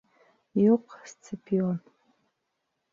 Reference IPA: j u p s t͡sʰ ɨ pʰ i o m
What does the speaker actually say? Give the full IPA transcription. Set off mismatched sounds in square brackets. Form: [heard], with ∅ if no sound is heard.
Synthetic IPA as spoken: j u [q] s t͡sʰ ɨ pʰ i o [n]